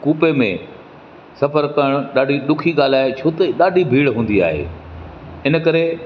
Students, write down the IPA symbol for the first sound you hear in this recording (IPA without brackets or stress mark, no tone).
k